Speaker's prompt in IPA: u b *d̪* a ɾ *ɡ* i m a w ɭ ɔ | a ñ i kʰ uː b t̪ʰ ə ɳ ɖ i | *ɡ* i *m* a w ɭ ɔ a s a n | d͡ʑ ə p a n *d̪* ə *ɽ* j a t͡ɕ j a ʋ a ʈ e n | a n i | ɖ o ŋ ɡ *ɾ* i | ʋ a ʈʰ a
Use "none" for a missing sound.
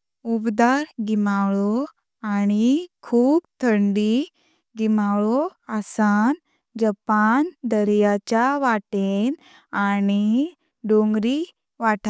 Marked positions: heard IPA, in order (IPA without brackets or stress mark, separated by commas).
d̪, ɡ, ɡ, m, d̪, ɾ, ɾ